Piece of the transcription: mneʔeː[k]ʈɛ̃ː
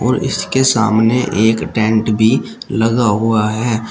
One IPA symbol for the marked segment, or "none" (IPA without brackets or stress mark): k